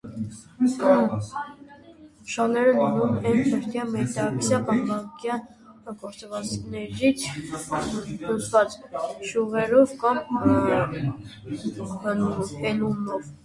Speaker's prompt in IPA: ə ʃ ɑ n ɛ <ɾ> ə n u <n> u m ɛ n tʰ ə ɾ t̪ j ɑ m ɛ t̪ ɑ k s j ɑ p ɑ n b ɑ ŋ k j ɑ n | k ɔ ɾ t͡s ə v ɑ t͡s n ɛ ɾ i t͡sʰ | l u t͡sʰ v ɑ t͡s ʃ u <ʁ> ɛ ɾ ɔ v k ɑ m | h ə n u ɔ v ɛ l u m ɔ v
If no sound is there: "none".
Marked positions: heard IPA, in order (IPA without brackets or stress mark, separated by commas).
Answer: ɾ, n, ʁ